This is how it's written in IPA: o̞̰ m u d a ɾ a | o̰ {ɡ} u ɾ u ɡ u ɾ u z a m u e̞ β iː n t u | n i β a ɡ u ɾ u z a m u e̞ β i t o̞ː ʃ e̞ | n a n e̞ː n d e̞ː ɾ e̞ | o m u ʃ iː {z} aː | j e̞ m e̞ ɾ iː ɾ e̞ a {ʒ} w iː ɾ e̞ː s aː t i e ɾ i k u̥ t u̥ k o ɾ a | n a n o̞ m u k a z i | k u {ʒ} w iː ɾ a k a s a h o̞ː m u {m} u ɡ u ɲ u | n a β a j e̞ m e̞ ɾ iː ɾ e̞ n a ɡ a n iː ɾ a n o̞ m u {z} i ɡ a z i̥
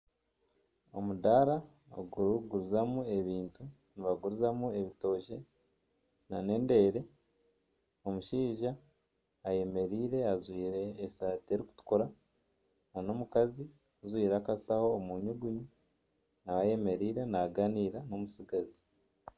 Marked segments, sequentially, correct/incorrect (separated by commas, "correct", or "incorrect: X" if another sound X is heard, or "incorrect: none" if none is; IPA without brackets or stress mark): correct, incorrect: ʒ, incorrect: z, incorrect: z, incorrect: ɲ, incorrect: s